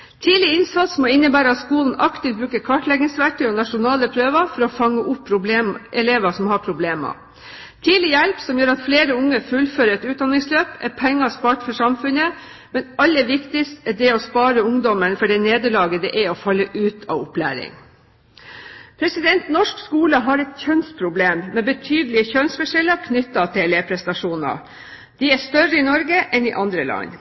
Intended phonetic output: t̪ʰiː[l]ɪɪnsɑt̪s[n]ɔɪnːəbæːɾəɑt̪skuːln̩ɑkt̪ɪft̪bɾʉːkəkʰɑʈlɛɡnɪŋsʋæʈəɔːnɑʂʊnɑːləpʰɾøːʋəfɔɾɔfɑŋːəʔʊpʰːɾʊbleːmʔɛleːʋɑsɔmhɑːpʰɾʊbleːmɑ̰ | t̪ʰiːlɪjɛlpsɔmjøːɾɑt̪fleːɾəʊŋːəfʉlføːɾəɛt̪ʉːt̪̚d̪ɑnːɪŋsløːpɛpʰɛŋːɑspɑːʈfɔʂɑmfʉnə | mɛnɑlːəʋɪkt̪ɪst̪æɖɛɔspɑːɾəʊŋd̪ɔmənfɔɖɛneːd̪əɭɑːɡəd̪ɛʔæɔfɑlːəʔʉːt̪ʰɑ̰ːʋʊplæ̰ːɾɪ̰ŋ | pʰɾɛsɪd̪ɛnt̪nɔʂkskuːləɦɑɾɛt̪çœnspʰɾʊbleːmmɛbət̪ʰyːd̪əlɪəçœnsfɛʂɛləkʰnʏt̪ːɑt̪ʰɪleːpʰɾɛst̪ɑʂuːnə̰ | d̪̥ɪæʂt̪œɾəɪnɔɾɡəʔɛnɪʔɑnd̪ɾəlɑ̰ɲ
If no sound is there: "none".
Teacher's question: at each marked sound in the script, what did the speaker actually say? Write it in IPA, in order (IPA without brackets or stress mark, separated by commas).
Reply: l, m